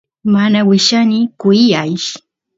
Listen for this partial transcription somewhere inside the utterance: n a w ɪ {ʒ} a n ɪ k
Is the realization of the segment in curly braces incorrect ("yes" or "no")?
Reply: yes